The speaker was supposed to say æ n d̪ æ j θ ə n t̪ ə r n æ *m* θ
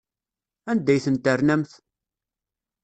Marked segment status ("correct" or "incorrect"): correct